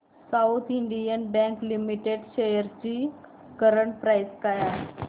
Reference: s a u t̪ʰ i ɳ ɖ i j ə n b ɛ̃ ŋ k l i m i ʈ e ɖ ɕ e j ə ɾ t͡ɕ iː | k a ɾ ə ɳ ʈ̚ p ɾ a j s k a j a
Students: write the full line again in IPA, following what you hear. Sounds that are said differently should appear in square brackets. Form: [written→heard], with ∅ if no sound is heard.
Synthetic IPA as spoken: s a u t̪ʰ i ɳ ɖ i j ə n b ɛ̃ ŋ k l i m i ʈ e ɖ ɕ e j ə ɾ t͡ɕ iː | k [a→ə] ɾ ə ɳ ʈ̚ p ɾ a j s k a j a

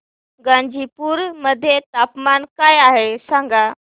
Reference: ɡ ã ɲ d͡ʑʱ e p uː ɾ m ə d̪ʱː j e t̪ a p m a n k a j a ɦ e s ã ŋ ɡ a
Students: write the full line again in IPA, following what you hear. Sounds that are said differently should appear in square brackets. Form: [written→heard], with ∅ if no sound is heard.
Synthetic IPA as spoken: ɡ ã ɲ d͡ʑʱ [e→i] p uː ɾ m ə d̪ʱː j e t̪ a p m a n k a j a ɦ e s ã ŋ ɡ a

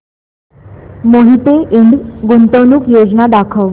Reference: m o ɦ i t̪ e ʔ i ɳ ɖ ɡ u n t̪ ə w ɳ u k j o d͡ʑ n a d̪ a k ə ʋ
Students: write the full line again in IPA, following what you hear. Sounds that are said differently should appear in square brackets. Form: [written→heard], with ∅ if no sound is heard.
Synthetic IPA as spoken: m o ɦ i t̪ e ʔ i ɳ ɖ ɡ u n t̪ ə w [ɳ→n] u k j o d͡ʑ n a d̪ a [k→kʰ] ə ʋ

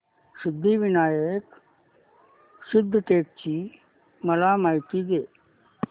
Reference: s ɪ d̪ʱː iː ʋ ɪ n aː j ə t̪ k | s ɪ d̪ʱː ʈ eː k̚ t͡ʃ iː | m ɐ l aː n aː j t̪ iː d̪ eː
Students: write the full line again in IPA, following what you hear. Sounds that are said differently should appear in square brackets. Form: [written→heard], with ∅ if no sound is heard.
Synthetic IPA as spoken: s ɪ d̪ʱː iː ʋ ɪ n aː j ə [t̪→∅] k | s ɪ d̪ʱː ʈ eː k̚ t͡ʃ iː | m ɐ l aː [n→m] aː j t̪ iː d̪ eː

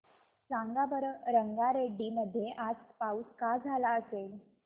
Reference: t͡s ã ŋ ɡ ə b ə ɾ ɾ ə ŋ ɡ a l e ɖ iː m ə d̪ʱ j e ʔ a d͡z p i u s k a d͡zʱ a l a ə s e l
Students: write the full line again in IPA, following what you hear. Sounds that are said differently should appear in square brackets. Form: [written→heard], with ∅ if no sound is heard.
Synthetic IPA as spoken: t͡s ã ŋ ɡ [ə→a] b ə ɾ ɾ ə ŋ ɡ a [l→ɾ] e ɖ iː m ə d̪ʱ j e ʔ a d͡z p [i→a] u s k a d͡zʱ a l a ə s e l

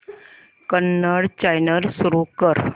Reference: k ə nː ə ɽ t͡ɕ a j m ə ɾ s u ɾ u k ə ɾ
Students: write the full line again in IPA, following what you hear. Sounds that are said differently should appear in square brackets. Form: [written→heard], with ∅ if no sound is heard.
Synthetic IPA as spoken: k ə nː ə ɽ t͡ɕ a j [m→n] ə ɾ s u ɾ u k ə ɾ

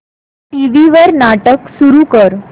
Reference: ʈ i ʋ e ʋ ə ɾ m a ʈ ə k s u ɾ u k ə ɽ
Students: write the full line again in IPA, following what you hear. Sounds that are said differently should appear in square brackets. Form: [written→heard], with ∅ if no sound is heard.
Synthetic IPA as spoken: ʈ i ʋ [e→i] ʋ ə ɾ [m→n] a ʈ ə k s u ɾ u k ə [ɽ→ɾ]

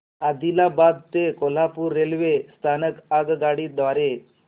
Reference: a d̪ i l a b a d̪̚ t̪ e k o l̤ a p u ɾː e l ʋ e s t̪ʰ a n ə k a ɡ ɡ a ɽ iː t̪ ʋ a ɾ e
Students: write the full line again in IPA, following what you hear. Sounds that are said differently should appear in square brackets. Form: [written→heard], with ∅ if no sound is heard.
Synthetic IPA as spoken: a d̪ i l a b a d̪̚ t̪ e k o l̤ a p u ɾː e l ʋ e s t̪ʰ a n ə k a ɡ ɡ a ɽ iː [t̪→d̪] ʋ a ɾ e

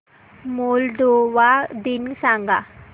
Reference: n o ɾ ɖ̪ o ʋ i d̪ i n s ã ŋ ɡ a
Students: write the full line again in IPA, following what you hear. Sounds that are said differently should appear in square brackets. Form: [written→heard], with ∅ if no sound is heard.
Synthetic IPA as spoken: [n→m] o [ɾ→l] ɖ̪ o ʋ [i→a] d̪ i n s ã ŋ ɡ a

